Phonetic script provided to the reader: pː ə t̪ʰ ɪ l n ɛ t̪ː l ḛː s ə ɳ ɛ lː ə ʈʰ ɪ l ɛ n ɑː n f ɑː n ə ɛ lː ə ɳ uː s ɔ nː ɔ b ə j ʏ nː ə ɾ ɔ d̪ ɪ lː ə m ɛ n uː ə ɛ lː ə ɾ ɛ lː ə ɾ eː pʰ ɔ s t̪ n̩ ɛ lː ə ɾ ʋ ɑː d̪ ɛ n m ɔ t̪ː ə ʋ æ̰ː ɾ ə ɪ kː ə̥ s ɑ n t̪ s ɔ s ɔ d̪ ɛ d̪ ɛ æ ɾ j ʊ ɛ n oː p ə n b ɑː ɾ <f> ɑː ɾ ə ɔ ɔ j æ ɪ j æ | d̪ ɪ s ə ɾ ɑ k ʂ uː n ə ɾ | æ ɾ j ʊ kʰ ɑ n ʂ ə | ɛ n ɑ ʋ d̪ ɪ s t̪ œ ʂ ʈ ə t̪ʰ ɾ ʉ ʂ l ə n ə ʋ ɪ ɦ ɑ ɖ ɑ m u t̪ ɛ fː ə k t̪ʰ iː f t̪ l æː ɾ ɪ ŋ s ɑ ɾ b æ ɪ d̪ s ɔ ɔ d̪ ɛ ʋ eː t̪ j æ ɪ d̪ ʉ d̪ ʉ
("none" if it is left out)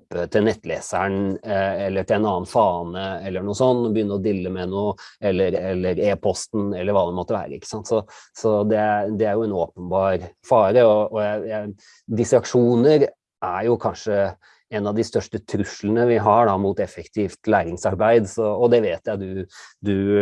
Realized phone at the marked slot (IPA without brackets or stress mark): f